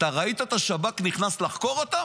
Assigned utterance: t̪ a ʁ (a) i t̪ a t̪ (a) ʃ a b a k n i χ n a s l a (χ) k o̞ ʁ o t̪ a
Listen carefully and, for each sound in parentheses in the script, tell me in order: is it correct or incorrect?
correct, correct, correct

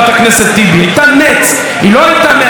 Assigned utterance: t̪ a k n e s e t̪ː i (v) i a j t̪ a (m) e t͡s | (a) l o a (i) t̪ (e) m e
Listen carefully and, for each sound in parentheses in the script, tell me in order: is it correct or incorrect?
incorrect: b, incorrect: n, incorrect: i, incorrect: j, incorrect: a

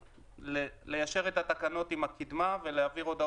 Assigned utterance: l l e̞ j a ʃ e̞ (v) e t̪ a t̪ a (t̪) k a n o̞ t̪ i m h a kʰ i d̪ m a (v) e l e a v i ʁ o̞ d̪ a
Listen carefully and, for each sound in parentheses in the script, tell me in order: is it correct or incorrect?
incorrect: ʁ, incorrect: none, correct

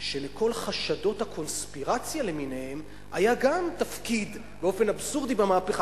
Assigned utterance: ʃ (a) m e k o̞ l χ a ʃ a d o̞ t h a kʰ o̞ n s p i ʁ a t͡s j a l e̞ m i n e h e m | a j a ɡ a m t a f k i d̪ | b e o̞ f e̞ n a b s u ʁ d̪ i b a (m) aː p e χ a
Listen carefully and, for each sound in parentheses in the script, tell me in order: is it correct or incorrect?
incorrect: e, correct

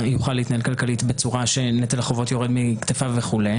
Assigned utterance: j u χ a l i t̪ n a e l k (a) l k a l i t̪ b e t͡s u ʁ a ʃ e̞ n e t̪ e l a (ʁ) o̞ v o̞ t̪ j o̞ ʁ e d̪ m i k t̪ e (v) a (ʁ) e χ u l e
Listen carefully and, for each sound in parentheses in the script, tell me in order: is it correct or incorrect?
correct, incorrect: χ, incorrect: f, incorrect: v

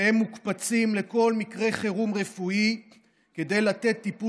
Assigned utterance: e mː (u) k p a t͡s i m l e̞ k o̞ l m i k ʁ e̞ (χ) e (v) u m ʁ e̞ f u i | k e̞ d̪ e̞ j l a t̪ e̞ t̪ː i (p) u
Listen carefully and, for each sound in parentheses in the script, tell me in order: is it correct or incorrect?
correct, correct, incorrect: ʁ, correct

